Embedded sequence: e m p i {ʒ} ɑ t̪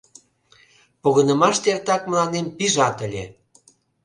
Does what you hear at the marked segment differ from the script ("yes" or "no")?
no